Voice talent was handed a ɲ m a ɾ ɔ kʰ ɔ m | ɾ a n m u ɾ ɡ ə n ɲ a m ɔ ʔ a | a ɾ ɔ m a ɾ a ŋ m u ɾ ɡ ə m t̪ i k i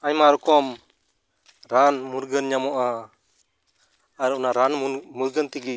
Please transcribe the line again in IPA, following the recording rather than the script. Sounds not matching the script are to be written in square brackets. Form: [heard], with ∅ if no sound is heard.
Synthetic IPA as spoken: a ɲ m a ɾ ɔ [k] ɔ m | ɾ a n m u ɾ ɡ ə n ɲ a m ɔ ʔ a | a ɾ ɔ [n] a ɾ a [n] m u ɾ ɡ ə [n] t̪ i [ɡ] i